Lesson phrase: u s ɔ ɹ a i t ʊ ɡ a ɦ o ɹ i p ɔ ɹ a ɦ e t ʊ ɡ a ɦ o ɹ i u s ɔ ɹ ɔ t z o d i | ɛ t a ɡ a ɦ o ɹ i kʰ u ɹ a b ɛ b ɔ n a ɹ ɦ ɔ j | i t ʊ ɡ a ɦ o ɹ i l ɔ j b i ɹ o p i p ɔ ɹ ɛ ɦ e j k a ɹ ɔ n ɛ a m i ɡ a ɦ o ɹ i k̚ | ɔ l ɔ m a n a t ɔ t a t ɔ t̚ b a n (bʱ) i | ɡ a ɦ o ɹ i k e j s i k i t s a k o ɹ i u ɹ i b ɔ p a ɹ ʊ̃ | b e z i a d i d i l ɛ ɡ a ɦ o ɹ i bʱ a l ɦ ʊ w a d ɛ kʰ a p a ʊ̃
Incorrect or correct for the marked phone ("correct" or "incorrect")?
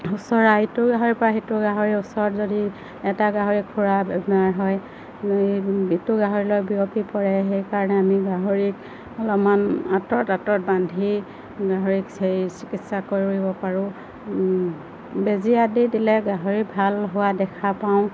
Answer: incorrect